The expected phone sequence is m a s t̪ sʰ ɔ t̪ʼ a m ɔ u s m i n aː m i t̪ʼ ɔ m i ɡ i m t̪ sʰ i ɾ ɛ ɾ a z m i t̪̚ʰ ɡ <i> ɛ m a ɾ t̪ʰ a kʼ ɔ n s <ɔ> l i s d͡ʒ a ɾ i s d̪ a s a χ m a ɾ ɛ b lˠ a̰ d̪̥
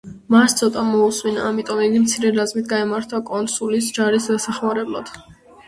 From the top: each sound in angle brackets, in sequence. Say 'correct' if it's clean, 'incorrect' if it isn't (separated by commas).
incorrect, incorrect